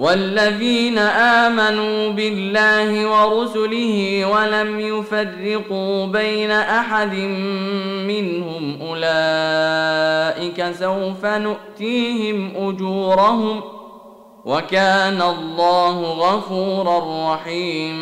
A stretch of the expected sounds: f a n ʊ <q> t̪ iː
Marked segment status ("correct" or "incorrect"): incorrect